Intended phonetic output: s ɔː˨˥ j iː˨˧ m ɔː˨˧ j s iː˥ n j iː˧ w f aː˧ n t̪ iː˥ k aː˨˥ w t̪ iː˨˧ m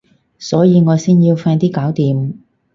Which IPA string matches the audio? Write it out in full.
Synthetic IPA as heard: s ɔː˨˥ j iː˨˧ ŋ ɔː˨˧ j s iː˥ n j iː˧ w f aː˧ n t̪ iː˥ k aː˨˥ w t̪ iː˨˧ m